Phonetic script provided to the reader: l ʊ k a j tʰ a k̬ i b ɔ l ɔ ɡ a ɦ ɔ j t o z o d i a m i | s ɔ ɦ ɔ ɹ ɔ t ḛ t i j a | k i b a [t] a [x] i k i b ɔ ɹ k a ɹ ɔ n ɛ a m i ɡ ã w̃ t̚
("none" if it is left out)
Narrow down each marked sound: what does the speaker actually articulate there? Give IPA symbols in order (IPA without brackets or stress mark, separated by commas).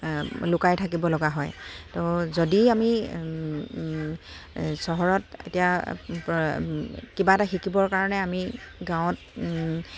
t, x